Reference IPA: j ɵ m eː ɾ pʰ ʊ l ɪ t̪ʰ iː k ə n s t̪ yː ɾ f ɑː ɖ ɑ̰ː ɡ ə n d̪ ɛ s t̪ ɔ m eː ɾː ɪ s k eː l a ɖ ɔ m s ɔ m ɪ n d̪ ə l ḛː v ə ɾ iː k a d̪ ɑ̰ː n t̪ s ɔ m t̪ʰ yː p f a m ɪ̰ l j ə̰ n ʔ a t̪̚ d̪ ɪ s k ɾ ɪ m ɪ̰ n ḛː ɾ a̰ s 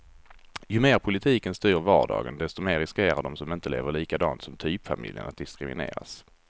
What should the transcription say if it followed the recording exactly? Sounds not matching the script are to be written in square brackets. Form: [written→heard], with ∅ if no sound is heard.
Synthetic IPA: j ɵ m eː ɾ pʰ ʊ l ɪ t̪ʰ iː k ə n s t̪ yː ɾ [f→v] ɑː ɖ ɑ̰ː ɡ ə n d̪ ɛ s t̪ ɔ m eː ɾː ɪ s k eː [l→ɾ] a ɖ ɔ m s ɔ m ɪ n [d̪→t̪] ə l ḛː v ə [ɾ→ɭ] iː k a d̪ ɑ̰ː n t̪ s ɔ m t̪ʰ yː p f a m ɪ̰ l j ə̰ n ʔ a t̪̚ d̪ ɪ s k ɾ ɪ m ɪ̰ n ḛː ɾ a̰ s

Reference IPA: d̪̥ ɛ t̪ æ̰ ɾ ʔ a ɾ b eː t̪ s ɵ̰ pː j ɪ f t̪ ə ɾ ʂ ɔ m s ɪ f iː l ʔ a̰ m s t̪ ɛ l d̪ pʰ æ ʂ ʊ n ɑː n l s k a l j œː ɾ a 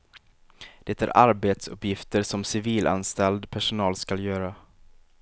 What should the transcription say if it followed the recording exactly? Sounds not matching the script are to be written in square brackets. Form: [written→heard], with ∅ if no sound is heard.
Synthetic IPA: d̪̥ ɛ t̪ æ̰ ɾ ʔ a ɾ b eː t̪ s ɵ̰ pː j ɪ f t̪ ə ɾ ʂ ɔ m s ɪ [f→v] iː l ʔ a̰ [m→n] s t̪ ɛ l d̪ pʰ æ ʂ ʊ n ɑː [n→∅] l s k a l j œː ɾ a

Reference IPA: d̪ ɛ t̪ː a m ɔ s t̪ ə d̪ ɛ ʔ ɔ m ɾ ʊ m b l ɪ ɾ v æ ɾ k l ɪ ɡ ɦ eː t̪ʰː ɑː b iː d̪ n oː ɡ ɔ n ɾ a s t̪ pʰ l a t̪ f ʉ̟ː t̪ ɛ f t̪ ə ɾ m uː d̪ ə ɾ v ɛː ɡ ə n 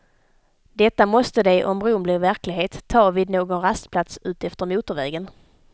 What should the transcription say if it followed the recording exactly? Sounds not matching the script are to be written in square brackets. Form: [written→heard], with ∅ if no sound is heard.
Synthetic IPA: d̪ ɛ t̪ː a m ɔ s t̪ ə d̪ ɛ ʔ ɔ m ɾ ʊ m b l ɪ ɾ v æ ɾ k l ɪ ɡ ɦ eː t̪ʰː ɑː [b→v] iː d̪ n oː ɡ ɔ n ɾ a s t̪ pʰ l a t̪ [f→s] ʉ̟ː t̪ ɛ f t̪ ə ɾ m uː [d̪→t̪] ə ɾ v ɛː ɡ ə n

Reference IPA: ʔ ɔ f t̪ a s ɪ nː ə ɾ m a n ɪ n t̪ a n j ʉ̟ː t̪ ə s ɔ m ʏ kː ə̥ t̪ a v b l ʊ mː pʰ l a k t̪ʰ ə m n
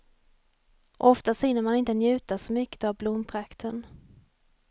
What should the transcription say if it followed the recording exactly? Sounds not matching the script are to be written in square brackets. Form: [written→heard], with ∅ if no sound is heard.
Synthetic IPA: ʔ ɔ f t̪ a s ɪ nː ə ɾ m a n ɪ n t̪ [a→ə] n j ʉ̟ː t̪ [ə→a] s ɔ m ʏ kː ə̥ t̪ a v b l ʊ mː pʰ [l→ɾ] a k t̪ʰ ə [m→∅] n

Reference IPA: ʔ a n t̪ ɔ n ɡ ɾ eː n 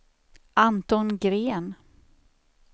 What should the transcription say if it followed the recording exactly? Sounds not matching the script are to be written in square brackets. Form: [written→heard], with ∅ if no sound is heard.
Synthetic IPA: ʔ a n t̪ ɔ n ɡ ɾ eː n

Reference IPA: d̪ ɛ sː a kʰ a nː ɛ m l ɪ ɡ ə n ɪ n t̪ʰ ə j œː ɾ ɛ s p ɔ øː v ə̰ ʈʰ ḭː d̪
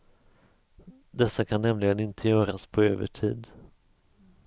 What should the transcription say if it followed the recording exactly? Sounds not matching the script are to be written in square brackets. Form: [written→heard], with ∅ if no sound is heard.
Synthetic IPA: d̪ ɛ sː a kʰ a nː ɛ m l ɪ ɡ ə n ɪ n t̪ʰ ə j œː ɾ [ɛ→a] s [p→pʰ] ɔ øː v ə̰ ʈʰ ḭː d̪

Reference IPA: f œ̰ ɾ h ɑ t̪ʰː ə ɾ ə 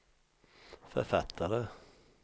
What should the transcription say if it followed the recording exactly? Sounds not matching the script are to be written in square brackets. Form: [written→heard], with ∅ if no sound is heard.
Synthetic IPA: f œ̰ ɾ [h→f] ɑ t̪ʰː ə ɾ ə

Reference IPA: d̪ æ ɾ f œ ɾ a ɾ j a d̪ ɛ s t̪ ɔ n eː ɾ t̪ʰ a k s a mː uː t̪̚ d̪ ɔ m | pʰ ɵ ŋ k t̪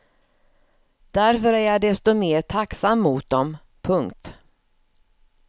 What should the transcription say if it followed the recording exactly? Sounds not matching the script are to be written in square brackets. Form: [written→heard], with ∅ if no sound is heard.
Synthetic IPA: d̪ æ ɾ f œ ɾ [a→æ] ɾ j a d̪ ɛ s t̪ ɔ [n→m] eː ɾ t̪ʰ a k s a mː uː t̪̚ d̪ ɔ m | pʰ ɵ ŋ k t̪

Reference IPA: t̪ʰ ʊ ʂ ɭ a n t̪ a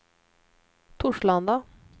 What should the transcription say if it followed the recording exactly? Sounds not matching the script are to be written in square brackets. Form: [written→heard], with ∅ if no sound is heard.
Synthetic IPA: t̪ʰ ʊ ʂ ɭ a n [t̪→d̪] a

